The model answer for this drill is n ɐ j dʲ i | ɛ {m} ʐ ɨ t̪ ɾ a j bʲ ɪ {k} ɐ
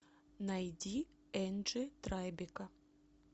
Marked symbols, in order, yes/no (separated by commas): no, yes